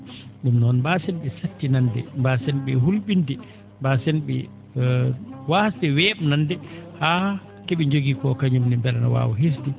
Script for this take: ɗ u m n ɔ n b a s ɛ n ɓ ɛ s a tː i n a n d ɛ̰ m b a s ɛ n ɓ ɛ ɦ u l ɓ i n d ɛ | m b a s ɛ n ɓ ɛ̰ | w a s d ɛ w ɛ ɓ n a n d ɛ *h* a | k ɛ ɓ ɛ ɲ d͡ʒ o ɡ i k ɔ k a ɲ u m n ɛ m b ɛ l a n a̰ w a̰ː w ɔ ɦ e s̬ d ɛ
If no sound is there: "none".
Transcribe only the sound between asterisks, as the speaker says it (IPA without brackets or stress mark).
h